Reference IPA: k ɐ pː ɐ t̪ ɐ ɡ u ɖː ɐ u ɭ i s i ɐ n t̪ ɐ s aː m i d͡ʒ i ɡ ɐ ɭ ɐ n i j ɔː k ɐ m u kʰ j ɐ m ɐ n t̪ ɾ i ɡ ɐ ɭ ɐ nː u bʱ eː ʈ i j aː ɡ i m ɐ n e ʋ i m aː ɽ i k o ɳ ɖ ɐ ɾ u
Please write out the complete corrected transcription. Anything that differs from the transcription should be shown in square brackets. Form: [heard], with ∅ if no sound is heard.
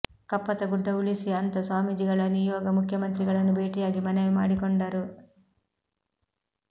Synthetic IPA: k ɐ pː ɐ t̪ ɐ ɡ u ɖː ɐ u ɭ i s i ɐ n t̪ ɐ s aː m i d͡ʒ i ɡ ɐ ɭ ɐ n i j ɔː [ɡ] ɐ m u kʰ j ɐ m ɐ n t̪ ɾ i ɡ ɐ ɭ ɐ nː u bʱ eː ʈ i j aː ɡ i m ɐ n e ʋ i m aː ɽ i k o ɳ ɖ ɐ ɾ u

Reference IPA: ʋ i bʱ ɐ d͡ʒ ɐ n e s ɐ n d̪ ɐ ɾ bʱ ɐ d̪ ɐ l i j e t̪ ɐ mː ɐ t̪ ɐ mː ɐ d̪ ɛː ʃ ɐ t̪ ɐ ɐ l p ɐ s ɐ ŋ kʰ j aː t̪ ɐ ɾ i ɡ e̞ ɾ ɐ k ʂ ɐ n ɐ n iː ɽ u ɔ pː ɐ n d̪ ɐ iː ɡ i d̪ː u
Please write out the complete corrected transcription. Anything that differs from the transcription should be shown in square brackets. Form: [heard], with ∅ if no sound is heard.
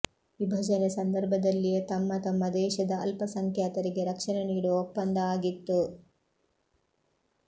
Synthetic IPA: ʋ i bʱ ɐ d͡ʒ ɐ n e s ɐ n d̪ ɐ ɾ bʱ ɐ d̪ ɐ [lː] i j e t̪ ɐ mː ɐ t̪ ɐ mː ɐ d̪ ɛː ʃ ɐ [d̪] ɐ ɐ l p ɐ s ɐ ŋ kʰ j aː t̪ ɐ ɾ i ɡ e̞ ɾ ɐ k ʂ ɐ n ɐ n iː ɽ u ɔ pː ɐ n d̪ ɐ [aː] ɡ i [t̪ː] u

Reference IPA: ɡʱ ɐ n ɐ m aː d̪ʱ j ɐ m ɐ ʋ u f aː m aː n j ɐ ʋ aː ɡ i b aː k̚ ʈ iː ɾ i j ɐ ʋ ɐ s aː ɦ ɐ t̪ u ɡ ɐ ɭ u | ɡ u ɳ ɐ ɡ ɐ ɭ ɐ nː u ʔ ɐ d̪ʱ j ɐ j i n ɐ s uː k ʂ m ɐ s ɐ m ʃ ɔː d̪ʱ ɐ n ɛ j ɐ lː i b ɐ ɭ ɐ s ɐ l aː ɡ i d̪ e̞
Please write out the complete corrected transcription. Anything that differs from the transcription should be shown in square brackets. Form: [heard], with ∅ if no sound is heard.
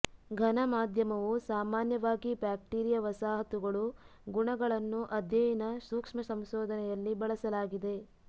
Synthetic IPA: ɡʱ ɐ n ɐ m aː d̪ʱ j ɐ m ɐ ʋ u [s] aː m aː n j ɐ ʋ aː ɡ i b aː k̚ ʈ iː ɾ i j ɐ ʋ ɐ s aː ɦ ɐ t̪ u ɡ ɐ ɭ u | ɡ u ɳ ɐ ɡ ɐ ɭ ɐ nː u ʔ ɐ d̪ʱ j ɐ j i n ɐ s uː k ʂ m ɐ s ɐ m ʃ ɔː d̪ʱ ɐ n ɛ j ɐ lː i b ɐ ɭ ɐ s ɐ l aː ɡ i d̪ e̞

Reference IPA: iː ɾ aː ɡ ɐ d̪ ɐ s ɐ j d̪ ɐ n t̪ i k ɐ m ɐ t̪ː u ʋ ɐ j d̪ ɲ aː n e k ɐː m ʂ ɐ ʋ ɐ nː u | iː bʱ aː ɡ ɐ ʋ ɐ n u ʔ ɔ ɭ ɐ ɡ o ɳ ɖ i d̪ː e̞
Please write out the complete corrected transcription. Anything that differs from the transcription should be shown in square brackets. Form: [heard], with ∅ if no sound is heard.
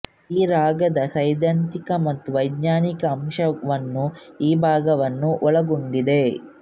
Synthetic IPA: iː ɾ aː ɡ ɐ d̪ ɐ s ɐ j d̪ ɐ n t̪ i k ɐ m ɐ t̪ː u ʋ ɐ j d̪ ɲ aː n [i] k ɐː m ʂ ɐ ʋ ɐ nː u | iː bʱ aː ɡ ɐ ʋ ɐ [nː] u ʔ ɔ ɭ ɐ ɡ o ɳ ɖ i [d̪] e̞

